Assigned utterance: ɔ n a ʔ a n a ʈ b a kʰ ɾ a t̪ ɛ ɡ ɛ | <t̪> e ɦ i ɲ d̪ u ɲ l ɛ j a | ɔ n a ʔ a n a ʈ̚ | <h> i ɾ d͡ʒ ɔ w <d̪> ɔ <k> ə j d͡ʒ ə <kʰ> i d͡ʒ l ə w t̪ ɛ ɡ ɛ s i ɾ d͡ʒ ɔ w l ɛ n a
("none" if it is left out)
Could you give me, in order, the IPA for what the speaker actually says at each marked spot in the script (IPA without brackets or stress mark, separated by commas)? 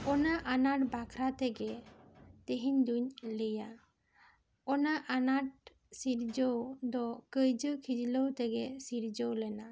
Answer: t̪, s, d̪, k, kʰ